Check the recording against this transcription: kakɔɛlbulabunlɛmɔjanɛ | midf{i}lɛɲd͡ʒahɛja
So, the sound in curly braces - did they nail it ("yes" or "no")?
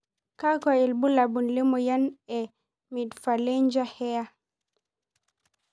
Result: no